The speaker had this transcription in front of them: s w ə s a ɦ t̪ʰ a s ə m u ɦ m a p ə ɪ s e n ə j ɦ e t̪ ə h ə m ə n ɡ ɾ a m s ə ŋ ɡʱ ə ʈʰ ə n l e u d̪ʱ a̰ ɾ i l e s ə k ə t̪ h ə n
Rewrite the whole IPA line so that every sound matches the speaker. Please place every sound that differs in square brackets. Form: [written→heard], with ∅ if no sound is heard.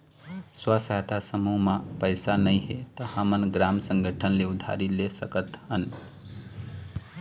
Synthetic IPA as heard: s w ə s a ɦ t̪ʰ a s ə m u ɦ m a p ə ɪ s [e→a] n ə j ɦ e t̪ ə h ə m ə n ɡ ɾ a m s ə ŋ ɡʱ ə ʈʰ ə n l e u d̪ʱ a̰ ɾ i l e s ə k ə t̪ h ə n

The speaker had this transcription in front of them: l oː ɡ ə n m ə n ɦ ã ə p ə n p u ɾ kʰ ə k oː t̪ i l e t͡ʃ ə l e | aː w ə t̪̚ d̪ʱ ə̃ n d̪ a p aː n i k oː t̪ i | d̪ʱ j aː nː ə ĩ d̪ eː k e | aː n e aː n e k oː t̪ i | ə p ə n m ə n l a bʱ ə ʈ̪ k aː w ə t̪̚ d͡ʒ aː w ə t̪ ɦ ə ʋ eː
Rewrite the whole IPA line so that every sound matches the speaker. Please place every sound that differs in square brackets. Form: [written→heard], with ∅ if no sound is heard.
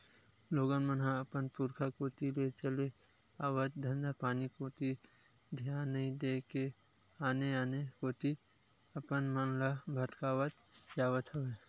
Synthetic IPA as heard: l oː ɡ ə n m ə n ɦ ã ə p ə n p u ɾ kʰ [ə→a] k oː t̪ i l e t͡ʃ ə l e | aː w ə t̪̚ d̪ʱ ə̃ n d̪ a p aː n i k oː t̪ i | d̪ʱ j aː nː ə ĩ d̪ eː k e | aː n e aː n e k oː t̪ i | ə p ə n m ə n l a bʱ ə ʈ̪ k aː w ə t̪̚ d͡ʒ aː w ə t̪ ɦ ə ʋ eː

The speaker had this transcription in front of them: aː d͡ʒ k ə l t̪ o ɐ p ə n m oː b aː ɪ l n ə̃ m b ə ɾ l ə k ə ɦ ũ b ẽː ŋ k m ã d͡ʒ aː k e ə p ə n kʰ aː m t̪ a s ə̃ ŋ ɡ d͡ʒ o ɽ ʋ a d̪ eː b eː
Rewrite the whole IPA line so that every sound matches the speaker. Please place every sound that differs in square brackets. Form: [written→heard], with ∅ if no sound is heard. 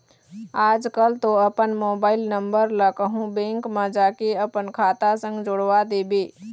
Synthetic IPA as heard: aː d͡ʒ k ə l t̪ o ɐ p ə n m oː b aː ɪ l n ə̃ m b ə ɾ l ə k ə ɦ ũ b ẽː ŋ k m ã d͡ʒ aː k e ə p ə n kʰ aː [m→∅] t̪ a s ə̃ ŋ ɡ d͡ʒ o ɽ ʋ a d̪ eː b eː

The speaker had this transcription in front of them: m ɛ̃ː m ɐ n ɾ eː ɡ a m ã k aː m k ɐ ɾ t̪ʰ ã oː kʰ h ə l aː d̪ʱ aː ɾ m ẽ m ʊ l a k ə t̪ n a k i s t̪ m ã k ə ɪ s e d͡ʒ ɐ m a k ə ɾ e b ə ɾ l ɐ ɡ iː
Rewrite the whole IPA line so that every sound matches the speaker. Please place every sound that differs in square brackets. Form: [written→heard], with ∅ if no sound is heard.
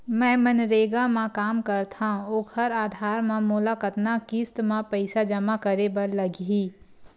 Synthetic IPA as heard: m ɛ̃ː m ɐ n ɾ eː ɡ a m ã k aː m k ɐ ɾ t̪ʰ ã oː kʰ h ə [l→ɾ] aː d̪ʱ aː ɾ m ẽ m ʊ l a k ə t̪ n a k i s t̪ m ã [k→p] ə ɪ s [e→a] d͡ʒ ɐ m a k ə ɾ e b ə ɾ l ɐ ɡ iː

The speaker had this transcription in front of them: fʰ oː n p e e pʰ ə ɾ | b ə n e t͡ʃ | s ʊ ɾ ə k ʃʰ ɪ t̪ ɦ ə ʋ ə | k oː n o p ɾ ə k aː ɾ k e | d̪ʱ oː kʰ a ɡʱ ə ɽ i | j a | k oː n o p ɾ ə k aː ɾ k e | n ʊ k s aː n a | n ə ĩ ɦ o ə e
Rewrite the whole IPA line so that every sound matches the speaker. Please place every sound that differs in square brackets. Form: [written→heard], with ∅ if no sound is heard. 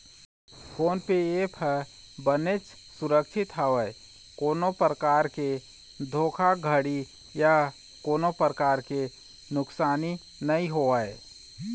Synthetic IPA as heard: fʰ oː n p e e pʰ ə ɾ | b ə n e t͡ʃ | s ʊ ɾ ə k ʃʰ ɪ t̪ ɦ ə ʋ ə | k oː n o p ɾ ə k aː ɾ k e | d̪ʱ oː kʰ a ɡʱ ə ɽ i | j a | k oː n o p ɾ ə k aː ɾ k e | n ʊ k s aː n [a→i] | n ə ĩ ɦ o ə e

